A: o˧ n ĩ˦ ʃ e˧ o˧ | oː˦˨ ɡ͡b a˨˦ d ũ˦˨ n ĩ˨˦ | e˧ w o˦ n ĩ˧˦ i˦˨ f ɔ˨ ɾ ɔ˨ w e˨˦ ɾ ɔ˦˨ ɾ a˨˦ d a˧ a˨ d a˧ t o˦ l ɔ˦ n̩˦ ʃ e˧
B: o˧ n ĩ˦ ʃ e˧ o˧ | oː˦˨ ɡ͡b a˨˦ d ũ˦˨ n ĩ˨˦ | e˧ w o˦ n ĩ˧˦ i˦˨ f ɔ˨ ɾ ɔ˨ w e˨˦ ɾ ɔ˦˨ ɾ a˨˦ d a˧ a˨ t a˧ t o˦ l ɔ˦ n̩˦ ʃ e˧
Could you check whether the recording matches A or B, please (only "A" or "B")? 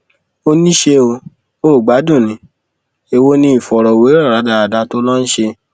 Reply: A